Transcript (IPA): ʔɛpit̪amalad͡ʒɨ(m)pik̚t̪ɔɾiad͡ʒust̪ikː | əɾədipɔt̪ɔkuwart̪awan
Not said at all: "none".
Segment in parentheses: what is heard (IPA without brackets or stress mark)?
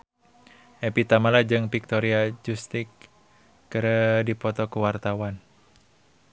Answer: ŋ